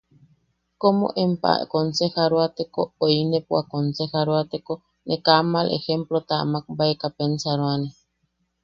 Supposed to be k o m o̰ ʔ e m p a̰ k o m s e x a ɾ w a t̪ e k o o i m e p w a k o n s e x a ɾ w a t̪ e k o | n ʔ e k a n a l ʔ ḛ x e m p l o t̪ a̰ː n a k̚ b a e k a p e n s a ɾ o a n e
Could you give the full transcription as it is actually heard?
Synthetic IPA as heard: k o m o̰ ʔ e m p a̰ k o n s e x a ɾ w a t̪ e k o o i n e p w a k o n s e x a ɾ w a t̪ e k o | n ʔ e k a m a l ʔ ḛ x e m p l o t̪ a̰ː m a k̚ b a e k a p e n s a ɾ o a n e